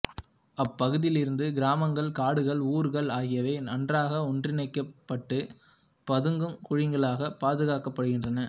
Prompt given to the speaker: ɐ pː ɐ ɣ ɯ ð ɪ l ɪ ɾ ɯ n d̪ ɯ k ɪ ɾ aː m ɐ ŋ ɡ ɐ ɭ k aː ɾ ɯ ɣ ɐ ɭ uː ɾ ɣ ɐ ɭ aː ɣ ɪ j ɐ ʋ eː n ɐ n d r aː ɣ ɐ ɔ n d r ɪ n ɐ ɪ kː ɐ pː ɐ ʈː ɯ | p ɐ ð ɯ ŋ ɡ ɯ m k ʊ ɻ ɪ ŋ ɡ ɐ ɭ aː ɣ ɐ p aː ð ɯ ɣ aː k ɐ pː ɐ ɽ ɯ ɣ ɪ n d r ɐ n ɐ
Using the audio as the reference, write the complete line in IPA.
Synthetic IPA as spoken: ɐ pː ɐ ɣ ɯ ð ɪ l ɪ ɾ ɯ n d̪ ɯ ɡ ɪ ɾ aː m ɐ ŋ ɡ ɐ ɭ k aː ɽ ɯ ɣ ɐ ɭ uː ɾ ɣ ɐ ɭ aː ɣ ɪ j ɐ ʋ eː n ɐ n d r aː ɣ ɐ ɔ n d r ɪ n ɐ ɪ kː ɐ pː ɐ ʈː ɯ | p ɐ ð ɯ ŋ ɡ ɯ m k ʊ ɻ ɪ ŋ ɡ ɐ ɭ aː ɣ ɐ p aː ð ɯ ɣ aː k ɐ pː ɐ ɽ ɯ ɣ ɪ n d r ɐ n ɐ